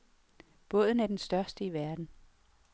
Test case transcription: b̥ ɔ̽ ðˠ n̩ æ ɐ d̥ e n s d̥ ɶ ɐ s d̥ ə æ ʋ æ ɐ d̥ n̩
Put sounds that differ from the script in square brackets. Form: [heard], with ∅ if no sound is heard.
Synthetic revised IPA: b̥ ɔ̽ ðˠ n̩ æ ɐ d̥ e n s d̥ ɶ ɐ s d̥ ə [i] ʋ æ ɐ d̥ n̩